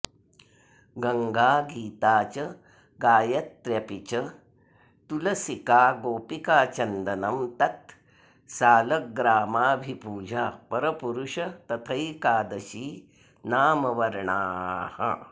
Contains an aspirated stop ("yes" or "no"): yes